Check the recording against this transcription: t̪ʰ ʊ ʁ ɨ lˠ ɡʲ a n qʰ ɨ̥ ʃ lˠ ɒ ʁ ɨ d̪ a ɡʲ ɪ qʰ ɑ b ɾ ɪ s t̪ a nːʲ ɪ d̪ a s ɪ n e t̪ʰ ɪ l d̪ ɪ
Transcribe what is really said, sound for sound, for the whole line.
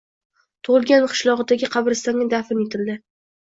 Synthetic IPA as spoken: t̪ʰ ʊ ʁ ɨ lˠ ɡʲ a n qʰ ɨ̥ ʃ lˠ ɒ ʁ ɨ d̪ a ɡʲ ɪ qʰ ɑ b ɾ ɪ s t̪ a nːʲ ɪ d̪ a f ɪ n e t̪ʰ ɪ l d̪ ɪ